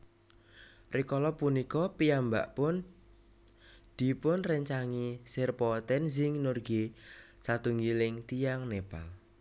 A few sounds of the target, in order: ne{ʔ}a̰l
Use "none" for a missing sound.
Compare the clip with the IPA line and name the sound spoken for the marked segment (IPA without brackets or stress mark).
p